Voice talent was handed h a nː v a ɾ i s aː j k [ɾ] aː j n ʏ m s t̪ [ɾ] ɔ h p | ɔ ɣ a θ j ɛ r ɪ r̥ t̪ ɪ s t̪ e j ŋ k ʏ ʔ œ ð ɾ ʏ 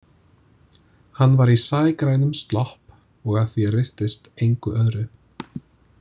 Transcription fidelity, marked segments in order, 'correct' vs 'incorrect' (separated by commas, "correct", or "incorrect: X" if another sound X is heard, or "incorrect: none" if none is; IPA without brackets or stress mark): correct, incorrect: l